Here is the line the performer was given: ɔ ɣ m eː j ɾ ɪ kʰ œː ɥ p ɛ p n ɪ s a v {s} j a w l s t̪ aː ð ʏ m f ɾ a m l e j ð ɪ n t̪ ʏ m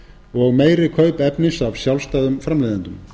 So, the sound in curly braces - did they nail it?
yes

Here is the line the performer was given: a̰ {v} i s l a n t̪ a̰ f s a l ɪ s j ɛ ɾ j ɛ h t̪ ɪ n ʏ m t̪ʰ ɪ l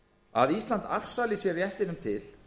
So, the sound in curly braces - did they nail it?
no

